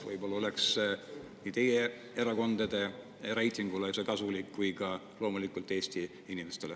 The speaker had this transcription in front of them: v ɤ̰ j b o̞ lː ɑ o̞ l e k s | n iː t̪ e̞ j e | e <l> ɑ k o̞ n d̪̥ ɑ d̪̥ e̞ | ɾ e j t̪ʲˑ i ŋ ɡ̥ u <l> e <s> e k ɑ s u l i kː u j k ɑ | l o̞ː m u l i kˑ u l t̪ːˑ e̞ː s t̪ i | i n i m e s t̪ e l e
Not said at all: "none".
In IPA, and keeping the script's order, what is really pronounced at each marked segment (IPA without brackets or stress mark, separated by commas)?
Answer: ɾ, l, s